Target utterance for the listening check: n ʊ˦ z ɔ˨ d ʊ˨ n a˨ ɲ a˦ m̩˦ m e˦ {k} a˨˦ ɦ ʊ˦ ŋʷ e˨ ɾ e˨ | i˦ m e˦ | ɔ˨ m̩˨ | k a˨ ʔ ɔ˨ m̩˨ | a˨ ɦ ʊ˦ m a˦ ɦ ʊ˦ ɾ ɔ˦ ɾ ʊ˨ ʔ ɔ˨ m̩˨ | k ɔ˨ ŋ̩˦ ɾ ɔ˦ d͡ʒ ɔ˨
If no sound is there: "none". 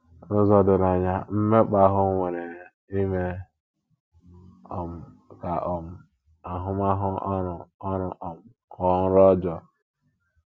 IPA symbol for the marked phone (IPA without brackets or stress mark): k͡p